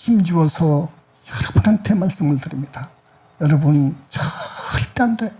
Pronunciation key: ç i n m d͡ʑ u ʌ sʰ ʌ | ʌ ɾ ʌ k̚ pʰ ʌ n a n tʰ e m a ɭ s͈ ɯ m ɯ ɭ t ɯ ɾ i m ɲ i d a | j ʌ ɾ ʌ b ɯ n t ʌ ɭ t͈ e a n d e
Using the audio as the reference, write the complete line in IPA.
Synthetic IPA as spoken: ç i m d͡ʑ u ʌ sʰ ʌ | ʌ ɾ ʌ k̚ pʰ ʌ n a n tʰ e m a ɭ s͈ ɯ m ɯ ɭ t ɯ ɾ i m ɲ i d a | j ʌ ɾ ʌ b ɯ n t͡ɕ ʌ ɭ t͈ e a n d e